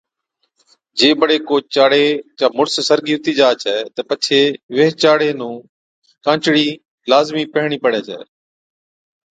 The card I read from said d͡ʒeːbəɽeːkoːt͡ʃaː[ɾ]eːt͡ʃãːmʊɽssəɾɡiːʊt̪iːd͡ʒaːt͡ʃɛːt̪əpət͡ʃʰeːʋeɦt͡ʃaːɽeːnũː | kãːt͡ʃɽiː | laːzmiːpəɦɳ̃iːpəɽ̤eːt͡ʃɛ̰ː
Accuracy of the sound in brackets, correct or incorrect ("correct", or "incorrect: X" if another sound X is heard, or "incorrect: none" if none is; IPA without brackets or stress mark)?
incorrect: ɽ